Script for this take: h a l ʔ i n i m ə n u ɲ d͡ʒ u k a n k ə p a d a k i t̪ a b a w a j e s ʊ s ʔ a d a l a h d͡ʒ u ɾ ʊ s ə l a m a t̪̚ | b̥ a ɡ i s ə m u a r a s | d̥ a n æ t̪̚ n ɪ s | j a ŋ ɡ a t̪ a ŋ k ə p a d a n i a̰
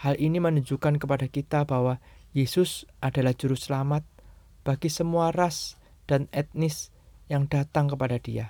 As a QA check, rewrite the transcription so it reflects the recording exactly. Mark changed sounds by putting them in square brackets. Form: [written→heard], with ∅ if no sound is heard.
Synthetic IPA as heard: h a l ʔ i n i m ə n u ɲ d͡ʒ u k a n k ə p a d a k i t̪ a b a w a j e s ʊ s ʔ a d a l a h d͡ʒ u ɾ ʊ s ə l a m a t̪̚ | b̥ a ɡ i s ə m u a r a s | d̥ a n [æ→ɛ] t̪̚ n ɪ s | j a ŋ [ɡ→d] a t̪ a ŋ k ə p a d a [n→d] i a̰